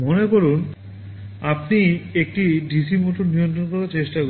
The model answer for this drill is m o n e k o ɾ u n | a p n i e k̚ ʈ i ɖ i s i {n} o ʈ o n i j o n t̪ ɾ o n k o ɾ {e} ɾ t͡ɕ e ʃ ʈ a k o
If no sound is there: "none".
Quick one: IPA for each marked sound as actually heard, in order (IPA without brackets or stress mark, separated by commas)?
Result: m, a